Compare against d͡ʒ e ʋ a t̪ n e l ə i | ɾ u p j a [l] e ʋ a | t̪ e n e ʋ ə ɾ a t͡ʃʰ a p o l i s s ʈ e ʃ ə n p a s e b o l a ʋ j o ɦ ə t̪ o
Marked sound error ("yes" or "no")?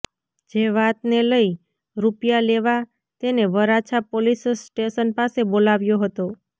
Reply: no